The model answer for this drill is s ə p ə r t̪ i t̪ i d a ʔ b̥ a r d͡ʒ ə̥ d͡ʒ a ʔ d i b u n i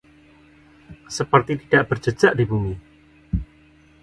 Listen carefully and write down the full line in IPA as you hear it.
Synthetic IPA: s ə p ə r t̪ i t̪ i d a ʔ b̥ ə r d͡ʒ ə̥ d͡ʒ a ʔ d i b u m i